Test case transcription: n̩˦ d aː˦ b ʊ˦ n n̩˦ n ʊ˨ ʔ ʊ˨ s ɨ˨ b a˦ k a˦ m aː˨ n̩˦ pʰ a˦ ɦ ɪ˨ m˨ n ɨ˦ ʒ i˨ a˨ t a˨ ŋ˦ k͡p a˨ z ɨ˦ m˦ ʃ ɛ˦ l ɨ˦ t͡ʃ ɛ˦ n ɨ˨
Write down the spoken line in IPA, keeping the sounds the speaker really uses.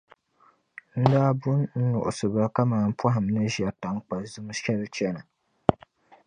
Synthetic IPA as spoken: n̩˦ d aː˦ b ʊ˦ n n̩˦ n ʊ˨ ʔ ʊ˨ s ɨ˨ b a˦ k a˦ m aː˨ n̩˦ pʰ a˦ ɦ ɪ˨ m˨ n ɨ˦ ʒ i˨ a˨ t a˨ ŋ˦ k͡p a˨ z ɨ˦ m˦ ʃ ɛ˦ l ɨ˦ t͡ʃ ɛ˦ n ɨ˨